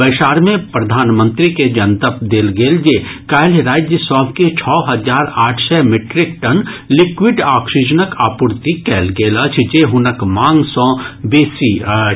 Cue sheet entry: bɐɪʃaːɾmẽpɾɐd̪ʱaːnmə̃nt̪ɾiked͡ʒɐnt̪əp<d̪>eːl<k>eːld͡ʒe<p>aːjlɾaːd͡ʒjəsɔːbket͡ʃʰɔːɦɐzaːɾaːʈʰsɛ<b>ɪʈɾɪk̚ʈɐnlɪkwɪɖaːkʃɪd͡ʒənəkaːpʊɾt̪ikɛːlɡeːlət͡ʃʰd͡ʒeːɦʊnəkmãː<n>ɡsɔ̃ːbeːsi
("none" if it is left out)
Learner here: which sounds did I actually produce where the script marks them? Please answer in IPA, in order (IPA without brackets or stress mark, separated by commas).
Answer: d̪, ɡ, k, m, ŋ